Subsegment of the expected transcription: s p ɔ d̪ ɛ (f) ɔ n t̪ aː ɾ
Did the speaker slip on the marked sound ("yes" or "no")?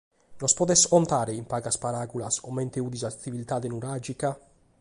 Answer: yes